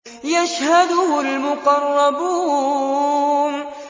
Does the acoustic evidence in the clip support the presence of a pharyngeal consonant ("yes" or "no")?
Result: no